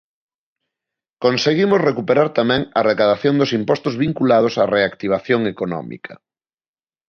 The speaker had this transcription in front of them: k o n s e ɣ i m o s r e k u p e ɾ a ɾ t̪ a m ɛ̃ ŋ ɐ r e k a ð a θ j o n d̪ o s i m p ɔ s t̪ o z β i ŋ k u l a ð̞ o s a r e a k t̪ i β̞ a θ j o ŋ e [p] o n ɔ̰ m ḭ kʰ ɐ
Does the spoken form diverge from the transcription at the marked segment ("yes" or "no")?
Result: yes